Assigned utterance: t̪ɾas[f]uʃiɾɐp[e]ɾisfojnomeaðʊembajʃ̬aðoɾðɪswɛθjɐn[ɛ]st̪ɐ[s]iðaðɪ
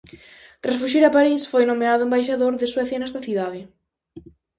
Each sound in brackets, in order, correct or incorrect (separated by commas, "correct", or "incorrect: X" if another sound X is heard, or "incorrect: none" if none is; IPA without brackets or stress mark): correct, incorrect: a, correct, incorrect: θ